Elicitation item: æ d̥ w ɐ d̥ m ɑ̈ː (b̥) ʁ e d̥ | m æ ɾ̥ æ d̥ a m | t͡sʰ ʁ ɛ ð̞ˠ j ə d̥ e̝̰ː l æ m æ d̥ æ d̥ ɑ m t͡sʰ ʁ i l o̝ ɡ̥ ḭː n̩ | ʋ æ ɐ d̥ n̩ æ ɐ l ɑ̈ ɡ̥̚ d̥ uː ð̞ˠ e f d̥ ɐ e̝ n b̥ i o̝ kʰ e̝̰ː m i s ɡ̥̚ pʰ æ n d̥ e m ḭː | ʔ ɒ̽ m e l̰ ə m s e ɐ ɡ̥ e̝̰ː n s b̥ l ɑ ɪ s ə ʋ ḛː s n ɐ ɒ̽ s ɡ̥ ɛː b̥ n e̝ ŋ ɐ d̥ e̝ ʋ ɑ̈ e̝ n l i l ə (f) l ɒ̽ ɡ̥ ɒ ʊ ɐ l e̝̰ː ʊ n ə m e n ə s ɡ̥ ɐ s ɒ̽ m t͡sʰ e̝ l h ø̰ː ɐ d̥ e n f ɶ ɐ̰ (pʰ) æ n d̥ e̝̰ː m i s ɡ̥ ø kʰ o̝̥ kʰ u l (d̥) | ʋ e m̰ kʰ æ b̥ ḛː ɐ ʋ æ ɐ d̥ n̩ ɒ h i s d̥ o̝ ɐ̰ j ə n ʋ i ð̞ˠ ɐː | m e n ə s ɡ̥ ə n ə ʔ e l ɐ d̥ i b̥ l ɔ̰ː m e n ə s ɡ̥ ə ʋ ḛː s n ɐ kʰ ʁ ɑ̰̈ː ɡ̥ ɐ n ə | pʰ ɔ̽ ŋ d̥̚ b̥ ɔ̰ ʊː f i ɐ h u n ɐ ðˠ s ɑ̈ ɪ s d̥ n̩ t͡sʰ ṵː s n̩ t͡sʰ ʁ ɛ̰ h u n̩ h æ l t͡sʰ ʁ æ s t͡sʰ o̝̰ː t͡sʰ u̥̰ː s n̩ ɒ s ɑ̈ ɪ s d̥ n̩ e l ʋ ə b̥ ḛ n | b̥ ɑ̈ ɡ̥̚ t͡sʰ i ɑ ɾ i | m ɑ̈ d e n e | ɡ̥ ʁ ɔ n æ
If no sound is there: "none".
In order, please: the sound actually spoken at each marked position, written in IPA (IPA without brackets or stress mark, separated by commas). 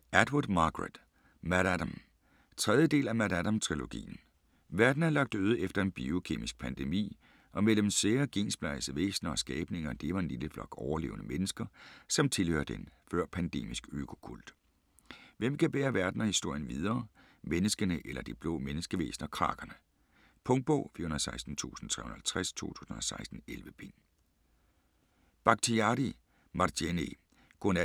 ɡ̥, f, pʰ, d̥